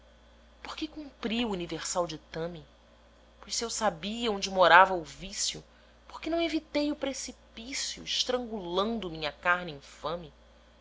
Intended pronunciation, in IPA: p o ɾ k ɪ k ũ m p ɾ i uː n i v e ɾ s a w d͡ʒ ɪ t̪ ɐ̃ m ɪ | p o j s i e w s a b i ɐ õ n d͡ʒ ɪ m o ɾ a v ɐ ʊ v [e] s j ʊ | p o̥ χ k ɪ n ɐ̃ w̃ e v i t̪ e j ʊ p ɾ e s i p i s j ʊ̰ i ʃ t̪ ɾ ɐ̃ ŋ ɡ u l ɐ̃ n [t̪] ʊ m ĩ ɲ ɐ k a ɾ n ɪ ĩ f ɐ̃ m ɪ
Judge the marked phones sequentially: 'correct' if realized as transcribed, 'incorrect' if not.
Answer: incorrect, incorrect

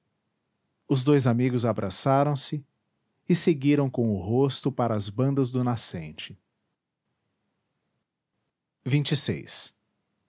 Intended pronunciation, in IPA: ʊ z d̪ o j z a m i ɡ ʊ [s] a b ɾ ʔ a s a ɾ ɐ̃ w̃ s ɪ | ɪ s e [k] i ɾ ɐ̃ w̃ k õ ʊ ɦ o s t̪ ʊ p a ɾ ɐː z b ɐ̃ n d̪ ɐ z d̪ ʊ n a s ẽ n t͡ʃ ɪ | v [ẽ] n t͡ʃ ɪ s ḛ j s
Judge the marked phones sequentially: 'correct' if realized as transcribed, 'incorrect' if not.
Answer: incorrect, incorrect, incorrect

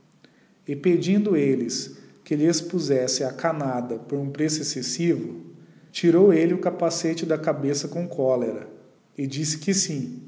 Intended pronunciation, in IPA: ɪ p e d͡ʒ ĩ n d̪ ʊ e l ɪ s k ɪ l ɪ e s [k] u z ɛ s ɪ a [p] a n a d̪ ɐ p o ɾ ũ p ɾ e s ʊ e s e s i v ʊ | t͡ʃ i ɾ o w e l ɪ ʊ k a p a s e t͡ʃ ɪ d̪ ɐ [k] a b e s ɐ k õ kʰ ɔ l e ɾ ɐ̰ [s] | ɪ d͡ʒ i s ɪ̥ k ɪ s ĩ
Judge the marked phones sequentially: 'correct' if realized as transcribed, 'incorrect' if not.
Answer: incorrect, incorrect, correct, incorrect

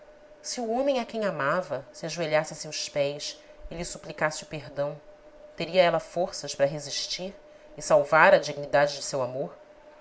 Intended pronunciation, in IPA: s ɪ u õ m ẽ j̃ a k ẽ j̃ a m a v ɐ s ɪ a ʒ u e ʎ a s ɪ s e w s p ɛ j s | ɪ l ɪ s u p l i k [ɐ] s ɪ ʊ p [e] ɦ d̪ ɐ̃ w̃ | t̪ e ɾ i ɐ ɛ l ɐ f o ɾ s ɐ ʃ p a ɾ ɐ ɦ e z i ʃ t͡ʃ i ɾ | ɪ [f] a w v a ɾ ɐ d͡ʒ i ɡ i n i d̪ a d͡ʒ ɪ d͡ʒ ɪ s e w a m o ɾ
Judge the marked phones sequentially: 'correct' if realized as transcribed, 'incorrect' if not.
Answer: incorrect, correct, incorrect

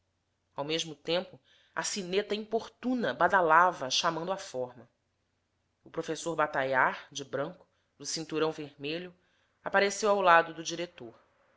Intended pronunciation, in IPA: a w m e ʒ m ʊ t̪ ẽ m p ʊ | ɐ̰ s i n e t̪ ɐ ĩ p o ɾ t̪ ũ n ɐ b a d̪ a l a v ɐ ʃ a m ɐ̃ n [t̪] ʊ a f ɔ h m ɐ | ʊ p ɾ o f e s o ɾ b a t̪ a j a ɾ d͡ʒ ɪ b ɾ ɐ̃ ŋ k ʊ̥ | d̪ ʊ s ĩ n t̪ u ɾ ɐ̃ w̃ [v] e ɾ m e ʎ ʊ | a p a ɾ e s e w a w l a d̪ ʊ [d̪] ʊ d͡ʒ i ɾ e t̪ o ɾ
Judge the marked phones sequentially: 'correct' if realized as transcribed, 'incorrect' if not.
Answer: incorrect, correct, correct

